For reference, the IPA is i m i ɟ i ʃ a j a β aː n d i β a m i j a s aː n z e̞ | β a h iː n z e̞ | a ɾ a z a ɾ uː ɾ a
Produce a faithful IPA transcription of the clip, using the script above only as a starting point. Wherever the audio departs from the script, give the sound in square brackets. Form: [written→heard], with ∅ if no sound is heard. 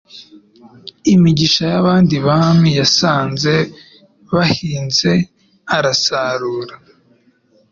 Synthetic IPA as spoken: i m i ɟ i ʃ a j a β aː n d i β a m i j a s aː n z e̞ | β a h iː n z e̞ | a ɾ a [z→s] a ɾ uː ɾ a